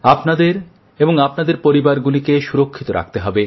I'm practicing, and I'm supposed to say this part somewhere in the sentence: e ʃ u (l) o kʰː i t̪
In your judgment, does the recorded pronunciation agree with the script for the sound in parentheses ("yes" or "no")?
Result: no